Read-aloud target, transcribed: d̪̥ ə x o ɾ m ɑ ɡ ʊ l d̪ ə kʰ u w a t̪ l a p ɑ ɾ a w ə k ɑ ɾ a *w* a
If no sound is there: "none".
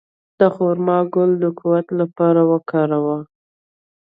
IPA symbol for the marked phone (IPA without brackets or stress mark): w